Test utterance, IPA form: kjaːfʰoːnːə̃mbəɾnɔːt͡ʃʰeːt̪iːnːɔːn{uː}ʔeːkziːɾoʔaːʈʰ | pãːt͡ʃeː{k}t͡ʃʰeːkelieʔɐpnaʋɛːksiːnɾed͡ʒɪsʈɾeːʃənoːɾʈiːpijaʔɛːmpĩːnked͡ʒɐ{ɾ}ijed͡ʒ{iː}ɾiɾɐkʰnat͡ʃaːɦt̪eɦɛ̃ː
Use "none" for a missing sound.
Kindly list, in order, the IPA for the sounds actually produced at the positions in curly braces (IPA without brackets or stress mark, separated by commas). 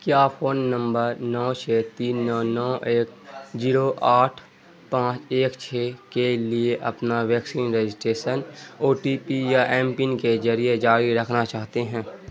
ɔː, k, ɾ, aː